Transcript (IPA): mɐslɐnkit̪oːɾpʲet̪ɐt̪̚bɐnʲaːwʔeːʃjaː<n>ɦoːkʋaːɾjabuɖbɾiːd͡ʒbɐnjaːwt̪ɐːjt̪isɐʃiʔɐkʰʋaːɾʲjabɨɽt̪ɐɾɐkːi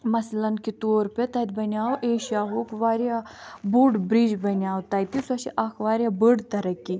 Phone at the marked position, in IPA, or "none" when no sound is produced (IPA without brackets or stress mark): none